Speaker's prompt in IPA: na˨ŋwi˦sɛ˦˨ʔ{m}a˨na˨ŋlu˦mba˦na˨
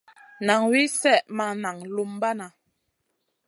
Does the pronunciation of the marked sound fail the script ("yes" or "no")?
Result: no